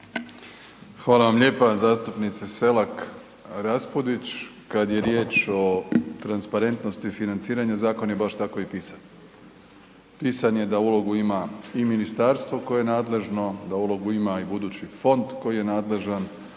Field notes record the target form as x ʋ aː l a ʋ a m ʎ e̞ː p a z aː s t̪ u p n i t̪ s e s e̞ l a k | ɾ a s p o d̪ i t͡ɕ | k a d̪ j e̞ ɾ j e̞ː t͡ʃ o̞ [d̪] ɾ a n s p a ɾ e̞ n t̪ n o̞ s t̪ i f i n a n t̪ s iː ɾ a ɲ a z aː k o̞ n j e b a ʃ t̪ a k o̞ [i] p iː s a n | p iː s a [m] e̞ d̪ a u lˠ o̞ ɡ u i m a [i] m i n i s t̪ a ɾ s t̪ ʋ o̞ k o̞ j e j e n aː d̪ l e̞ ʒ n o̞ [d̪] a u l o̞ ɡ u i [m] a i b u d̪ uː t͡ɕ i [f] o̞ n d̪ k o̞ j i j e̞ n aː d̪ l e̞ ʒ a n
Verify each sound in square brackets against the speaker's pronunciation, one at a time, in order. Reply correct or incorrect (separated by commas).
incorrect, correct, incorrect, correct, correct, correct, correct